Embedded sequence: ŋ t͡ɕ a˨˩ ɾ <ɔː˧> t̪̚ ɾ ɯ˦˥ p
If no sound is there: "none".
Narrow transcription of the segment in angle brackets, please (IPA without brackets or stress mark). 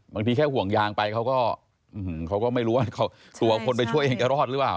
ɔː˥˩